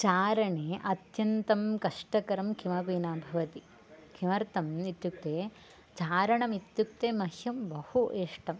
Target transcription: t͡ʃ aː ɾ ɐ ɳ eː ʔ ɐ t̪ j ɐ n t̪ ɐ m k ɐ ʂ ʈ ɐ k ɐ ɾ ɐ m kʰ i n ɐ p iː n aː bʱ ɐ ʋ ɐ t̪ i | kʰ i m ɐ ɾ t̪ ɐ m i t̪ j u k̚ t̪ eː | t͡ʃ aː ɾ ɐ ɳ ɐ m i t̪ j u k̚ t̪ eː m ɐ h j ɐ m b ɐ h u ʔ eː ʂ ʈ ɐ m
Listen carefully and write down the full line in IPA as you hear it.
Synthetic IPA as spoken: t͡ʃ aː ɾ ɐ ɳ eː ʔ ɐ t̪ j ɐ n t̪ ɐ m k ɐ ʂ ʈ ɐ k ɐ ɾ ɐ m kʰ i m ɐ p iː n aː bʱ ɐ ʋ ɐ t̪ i | kʰ i m ɐ ɾ t̪ ɐ m i t̪ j u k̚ t̪ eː | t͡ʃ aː ɾ ɐ ɳ ɐ m i t̪ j u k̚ t̪ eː m ɐ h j ɐ m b ɐ h u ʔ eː ʂ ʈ ɐ m